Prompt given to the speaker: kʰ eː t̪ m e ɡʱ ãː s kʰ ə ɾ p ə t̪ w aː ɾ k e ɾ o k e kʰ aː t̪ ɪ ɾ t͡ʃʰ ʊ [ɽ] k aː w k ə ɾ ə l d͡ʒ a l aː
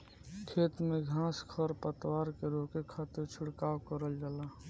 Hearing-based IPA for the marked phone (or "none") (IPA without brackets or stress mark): ɽ